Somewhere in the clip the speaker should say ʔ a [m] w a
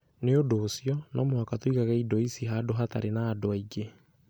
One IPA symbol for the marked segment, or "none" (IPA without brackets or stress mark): m